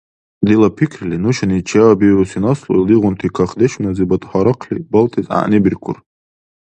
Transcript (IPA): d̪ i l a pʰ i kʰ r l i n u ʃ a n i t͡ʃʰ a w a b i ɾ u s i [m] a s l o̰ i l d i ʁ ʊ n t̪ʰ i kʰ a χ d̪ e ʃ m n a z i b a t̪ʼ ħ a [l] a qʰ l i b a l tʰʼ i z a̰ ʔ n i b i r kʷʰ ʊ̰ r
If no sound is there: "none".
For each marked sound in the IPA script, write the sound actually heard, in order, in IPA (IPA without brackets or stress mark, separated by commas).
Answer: n, ɾ